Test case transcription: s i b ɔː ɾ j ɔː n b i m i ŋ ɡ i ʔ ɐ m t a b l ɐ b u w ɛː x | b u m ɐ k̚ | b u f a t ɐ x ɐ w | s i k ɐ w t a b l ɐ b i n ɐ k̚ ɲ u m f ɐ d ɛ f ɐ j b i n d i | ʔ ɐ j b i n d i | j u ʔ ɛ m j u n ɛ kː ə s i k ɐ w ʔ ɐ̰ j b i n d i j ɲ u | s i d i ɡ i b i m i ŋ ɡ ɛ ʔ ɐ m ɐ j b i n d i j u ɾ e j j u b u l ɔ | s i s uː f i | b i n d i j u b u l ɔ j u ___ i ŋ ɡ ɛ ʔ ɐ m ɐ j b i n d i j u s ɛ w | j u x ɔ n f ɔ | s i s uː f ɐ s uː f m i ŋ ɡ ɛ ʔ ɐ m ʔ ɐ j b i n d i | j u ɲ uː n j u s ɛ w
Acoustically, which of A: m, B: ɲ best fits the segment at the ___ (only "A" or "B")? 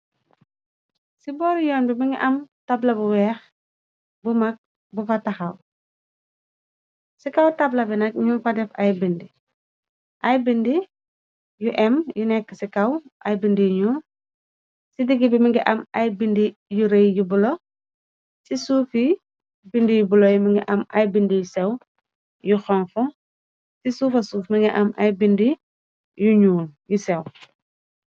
A